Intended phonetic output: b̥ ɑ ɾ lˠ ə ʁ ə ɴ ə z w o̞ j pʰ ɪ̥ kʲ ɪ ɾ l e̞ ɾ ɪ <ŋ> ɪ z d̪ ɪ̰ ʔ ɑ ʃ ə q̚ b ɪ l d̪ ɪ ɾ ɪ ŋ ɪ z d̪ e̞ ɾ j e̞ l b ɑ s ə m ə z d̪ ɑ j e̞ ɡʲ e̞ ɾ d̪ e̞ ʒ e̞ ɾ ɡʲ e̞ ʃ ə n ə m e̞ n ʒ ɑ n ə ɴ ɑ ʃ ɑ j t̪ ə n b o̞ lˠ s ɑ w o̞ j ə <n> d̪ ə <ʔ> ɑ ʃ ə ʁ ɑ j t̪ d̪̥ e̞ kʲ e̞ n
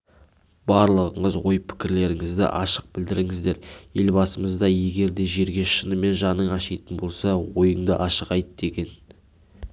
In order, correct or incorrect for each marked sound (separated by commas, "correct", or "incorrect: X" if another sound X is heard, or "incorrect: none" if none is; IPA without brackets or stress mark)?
correct, incorrect: ɴ, correct